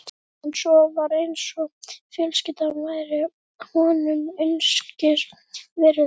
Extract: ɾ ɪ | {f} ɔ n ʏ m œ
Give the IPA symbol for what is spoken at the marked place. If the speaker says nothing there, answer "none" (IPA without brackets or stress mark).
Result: h